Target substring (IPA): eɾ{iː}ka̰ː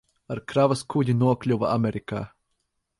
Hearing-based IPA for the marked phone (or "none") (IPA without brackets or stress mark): i